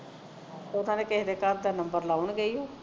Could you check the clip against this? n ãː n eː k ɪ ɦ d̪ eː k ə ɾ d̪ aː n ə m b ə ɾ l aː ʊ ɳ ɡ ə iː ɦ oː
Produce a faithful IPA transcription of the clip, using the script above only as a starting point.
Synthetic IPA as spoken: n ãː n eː k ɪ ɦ d̪ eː k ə ɾ d̪ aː n ə m b ə ɾ l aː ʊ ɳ ɡ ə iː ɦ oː

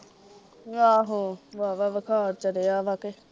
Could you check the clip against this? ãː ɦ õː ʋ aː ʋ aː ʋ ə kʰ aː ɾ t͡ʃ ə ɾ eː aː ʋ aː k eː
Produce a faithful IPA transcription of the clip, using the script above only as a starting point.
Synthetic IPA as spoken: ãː ɦ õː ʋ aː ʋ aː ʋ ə kʰ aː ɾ t͡ʃ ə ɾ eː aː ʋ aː k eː

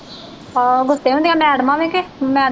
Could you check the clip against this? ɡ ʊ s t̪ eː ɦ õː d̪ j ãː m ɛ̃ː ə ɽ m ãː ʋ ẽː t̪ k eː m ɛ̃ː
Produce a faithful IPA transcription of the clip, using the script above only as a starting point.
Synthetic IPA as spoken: ɡ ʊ s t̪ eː ɦ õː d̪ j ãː m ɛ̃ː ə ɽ m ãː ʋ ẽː k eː m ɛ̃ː

